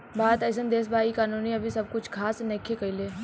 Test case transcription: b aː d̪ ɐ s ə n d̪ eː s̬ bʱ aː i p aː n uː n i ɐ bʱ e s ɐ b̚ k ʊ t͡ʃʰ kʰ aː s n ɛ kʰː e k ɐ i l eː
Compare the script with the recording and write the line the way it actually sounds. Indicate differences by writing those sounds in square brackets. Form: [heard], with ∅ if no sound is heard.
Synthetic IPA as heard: b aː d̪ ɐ s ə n d̪ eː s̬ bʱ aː i [k] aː n uː n i ɐ bʱ [i] s ɐ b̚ k ʊ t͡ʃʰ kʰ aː s n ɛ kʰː e k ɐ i l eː